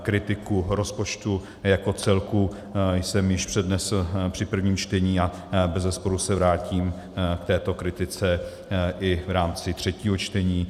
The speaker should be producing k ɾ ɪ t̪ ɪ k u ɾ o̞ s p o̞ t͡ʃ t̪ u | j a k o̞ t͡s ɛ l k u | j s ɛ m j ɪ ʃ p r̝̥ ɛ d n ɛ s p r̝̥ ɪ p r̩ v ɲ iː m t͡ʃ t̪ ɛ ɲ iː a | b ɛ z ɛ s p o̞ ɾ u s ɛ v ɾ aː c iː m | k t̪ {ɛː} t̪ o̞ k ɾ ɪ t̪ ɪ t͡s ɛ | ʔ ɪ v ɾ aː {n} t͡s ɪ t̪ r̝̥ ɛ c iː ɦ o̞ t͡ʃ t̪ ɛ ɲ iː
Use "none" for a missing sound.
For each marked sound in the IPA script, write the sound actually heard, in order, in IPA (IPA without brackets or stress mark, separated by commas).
ɛː, m